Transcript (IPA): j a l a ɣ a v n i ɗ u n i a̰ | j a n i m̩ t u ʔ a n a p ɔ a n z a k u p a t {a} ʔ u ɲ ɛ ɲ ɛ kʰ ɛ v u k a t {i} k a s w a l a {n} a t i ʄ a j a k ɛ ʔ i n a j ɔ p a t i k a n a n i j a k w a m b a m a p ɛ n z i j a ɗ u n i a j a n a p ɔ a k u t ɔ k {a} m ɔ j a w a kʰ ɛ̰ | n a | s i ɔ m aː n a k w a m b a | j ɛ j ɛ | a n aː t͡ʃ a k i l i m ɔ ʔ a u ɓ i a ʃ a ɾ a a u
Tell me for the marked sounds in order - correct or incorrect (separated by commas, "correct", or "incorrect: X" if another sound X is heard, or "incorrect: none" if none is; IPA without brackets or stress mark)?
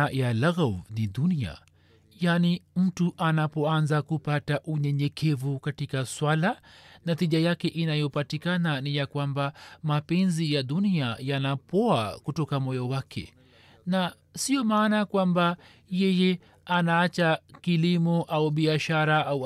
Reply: correct, correct, correct, correct